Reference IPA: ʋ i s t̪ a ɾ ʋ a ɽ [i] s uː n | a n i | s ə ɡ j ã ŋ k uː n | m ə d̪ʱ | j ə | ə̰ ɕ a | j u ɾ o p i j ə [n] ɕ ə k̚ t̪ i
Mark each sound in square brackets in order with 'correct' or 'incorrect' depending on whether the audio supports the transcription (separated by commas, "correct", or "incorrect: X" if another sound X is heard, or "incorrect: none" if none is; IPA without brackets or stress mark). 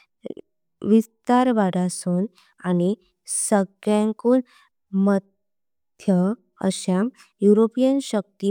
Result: incorrect: a, correct